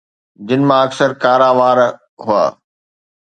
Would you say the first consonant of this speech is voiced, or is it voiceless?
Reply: voiced